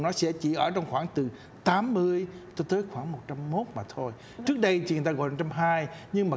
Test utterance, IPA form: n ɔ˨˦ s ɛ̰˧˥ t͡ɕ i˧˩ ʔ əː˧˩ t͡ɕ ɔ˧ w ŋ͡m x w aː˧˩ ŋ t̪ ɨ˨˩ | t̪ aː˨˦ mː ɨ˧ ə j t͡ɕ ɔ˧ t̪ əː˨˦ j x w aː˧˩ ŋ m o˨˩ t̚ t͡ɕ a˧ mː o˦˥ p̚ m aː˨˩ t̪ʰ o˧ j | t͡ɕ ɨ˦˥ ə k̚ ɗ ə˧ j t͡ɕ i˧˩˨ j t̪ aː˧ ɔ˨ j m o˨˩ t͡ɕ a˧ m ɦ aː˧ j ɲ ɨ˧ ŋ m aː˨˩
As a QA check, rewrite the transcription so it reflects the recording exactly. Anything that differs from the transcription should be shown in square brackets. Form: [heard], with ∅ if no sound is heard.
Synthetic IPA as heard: n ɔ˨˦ s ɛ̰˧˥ t͡ɕ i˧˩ ʔ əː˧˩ t͡ɕ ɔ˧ w ŋ͡m x w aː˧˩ ŋ t̪ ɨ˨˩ | t̪ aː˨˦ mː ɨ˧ ə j t͡ɕ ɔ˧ t̪ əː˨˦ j x w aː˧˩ ŋ m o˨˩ t̚ t͡ɕ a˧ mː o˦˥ [t̚] m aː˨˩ t̪ʰ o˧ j | t͡ɕ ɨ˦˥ ə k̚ ɗ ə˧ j t͡ɕ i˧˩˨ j t̪ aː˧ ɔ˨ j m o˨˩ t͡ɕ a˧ m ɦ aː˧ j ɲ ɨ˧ ŋ m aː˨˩

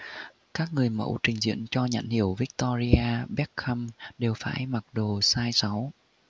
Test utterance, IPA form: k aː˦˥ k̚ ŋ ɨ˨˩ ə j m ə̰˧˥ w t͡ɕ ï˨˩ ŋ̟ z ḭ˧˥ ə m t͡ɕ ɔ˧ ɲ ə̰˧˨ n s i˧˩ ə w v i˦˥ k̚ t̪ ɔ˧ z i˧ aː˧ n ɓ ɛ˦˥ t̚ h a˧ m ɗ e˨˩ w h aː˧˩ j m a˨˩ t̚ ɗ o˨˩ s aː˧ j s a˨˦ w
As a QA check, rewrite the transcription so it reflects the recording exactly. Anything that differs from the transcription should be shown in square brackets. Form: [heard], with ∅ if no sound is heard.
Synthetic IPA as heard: k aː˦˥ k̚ ŋ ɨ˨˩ ə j m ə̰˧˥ w t͡ɕ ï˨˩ ŋ̟ z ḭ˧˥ ə [n] t͡ɕ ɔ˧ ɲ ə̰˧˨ n [h] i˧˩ ə w v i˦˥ k̚ t̪ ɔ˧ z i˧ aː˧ [∅] ɓ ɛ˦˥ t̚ [x] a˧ m ɗ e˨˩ w [f] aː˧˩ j m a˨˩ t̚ ɗ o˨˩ s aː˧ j s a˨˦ w

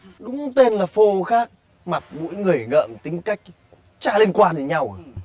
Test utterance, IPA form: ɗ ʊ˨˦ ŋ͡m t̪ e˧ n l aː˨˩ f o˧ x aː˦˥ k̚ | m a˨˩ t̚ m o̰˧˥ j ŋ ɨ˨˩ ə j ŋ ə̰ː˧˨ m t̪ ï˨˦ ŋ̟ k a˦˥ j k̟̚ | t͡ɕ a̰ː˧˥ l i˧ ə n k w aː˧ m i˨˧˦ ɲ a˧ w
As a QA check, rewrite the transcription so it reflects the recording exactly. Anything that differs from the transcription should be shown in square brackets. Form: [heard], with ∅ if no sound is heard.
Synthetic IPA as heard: ɗ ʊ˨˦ ŋ͡m t̪ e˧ n l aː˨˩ f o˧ x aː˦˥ k̚ | m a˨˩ t̚ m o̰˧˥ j ŋ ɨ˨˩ ə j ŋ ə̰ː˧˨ m t̪ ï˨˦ ŋ̟ k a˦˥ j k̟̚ | t͡ɕ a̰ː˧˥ l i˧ ə n k w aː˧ [n] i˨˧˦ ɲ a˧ w

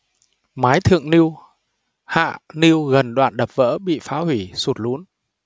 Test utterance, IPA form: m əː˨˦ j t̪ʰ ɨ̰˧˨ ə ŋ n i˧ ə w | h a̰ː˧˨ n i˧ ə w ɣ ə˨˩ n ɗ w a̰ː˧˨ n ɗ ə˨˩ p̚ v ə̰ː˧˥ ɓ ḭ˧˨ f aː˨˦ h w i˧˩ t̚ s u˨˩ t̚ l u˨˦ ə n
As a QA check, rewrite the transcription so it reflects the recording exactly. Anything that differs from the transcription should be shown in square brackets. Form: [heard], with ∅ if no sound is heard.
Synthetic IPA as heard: m [aː˨˦] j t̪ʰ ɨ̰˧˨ ə ŋ n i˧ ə w | h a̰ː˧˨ n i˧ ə w ɣ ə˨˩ n ɗ w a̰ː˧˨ n ɗ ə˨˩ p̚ v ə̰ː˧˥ ɓ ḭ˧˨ f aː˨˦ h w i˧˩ [∅] s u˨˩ t̚ l u˨˦ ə n

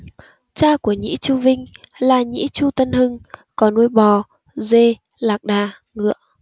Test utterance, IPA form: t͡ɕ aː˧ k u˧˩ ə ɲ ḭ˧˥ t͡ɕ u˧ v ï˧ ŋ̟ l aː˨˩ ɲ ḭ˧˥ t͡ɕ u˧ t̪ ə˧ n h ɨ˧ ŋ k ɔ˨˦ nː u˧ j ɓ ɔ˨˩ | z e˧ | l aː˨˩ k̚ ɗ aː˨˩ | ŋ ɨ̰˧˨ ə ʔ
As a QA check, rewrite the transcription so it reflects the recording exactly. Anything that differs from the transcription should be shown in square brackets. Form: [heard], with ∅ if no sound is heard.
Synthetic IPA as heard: t͡ɕ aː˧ k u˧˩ ə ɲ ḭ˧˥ t͡ɕ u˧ v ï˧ ŋ̟ l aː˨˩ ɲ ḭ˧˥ t͡ɕ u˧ t̪ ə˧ n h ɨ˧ ŋ k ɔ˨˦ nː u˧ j ɓ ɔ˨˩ | z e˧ | l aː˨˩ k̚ ɗ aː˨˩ | ŋ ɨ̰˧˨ ə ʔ

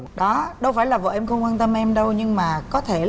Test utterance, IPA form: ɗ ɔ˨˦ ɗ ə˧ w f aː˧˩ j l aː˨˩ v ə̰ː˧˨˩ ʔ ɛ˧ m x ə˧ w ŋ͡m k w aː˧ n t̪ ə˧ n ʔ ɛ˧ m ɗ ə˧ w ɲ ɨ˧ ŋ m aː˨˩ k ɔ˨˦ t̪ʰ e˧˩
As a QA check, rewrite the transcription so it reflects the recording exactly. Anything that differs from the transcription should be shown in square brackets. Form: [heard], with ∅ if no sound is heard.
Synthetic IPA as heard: ɗ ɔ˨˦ ɗ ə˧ w f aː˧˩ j l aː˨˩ v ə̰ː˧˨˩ ʔ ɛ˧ m x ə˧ w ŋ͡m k w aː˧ n t̪ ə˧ [m] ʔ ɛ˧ m ɗ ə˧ w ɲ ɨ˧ ŋ m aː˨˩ k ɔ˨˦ t̪ʰ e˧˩

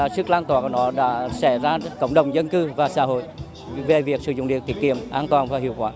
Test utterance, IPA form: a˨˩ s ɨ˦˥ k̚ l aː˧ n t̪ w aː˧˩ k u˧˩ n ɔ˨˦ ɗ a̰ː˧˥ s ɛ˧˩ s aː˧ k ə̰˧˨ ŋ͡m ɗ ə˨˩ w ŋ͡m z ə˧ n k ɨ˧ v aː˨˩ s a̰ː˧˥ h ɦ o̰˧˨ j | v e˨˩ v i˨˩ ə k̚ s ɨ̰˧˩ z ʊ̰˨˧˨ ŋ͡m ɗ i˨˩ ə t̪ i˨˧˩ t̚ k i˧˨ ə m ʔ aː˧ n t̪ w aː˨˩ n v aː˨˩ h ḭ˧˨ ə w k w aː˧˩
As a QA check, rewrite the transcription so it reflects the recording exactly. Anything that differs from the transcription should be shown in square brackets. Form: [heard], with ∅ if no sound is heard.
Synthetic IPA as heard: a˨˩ s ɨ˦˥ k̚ l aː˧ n t̪ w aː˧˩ k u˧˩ n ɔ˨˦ ɗ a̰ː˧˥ s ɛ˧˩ [z] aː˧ k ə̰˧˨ ŋ͡m ɗ ə˨˩ w ŋ͡m z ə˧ n k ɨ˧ v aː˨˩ s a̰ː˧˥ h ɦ o̰˧˨ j | v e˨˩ v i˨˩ ə k̚ s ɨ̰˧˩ z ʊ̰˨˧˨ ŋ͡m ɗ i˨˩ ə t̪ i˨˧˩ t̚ k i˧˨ ə m ʔ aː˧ n t̪ w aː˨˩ n v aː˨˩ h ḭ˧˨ ə w k w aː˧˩

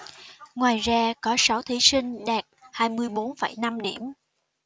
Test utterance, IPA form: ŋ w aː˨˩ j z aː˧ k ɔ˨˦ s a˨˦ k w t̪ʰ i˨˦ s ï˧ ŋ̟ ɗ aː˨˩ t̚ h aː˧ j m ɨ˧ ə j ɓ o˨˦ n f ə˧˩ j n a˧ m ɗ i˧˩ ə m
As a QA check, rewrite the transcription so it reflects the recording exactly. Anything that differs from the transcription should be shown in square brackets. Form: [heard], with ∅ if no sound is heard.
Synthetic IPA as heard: ŋ w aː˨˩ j z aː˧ k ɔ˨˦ s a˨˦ [∅] w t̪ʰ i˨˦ s ï˧ ŋ̟ ɗ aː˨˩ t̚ h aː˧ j m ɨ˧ ə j ɓ o˨˦ n f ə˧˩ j n a˧ m ɗ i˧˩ ə m

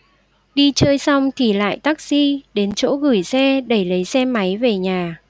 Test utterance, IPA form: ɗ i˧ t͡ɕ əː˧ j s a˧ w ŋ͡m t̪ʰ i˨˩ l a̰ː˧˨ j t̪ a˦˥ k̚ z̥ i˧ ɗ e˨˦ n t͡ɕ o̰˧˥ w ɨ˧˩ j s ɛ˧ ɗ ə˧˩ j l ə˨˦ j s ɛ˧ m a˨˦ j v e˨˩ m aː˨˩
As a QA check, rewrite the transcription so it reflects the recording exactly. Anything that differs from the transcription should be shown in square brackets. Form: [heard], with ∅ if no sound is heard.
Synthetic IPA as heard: ɗ i˧ t͡ɕ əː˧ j s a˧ w ŋ͡m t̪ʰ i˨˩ l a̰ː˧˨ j t̪ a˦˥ k̚ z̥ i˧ ɗ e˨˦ n t͡ɕ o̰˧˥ [ɣ] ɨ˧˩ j s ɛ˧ ɗ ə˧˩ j l ə˨˦ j s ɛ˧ m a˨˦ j v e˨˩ [ɲ] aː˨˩

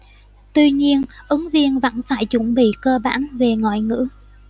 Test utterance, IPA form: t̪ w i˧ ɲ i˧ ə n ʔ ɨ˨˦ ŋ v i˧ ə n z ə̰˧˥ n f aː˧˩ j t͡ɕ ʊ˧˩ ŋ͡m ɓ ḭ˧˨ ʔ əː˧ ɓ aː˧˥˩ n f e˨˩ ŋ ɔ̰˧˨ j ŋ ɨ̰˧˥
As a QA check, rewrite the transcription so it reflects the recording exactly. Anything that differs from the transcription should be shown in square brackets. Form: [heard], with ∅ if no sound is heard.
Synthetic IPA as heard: t̪ w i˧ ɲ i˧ ə n ʔ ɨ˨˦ ŋ v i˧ ə n [v] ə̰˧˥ n f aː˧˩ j t͡ɕ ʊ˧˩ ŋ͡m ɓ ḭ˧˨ [k] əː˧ ɓ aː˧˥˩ n [v] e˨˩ ŋ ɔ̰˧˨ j ŋ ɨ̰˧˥

